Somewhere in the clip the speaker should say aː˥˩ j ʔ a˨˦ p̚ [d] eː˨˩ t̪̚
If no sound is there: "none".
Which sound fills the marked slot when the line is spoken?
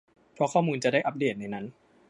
d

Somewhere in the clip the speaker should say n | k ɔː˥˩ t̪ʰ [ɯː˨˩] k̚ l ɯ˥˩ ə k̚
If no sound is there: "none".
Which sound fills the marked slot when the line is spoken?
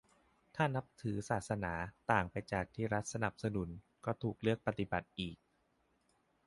uː˨˩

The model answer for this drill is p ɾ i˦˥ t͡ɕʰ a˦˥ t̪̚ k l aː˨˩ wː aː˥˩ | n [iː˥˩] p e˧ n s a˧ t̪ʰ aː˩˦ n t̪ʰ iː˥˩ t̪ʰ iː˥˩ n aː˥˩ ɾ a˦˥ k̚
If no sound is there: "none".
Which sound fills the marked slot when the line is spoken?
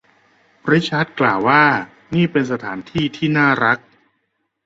iː˥˩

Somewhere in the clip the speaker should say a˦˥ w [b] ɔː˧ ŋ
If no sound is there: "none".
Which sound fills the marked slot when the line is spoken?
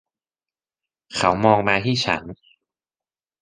m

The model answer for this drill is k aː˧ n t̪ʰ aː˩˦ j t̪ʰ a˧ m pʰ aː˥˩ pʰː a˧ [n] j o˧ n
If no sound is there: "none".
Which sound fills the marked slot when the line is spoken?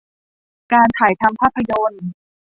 none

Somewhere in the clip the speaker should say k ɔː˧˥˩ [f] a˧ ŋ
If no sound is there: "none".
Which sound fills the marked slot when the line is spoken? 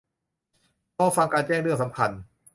f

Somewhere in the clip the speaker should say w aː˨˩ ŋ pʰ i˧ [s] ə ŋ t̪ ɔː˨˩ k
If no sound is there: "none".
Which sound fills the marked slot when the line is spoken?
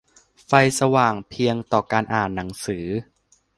none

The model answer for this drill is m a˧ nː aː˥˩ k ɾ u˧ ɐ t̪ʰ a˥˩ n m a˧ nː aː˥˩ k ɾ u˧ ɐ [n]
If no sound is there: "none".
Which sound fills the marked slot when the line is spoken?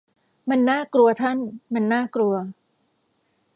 none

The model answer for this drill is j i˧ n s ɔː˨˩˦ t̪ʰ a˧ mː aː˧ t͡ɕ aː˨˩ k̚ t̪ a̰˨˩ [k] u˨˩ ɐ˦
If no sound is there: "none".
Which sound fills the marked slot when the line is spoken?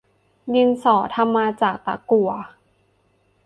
k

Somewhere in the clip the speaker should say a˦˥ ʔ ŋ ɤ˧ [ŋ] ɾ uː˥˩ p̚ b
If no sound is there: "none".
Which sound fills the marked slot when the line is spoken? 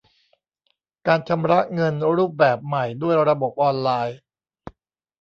n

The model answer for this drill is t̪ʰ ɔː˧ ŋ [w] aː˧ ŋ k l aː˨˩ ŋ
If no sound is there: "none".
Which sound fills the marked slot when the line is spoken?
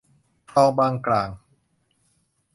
b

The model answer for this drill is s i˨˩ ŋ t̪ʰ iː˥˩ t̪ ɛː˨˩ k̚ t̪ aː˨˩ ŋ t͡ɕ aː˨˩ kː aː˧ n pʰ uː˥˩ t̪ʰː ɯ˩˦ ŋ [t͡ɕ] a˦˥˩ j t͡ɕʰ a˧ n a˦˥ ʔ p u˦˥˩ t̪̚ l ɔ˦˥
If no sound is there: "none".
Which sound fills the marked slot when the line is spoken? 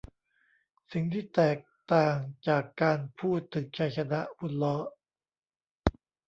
t͡ɕʰ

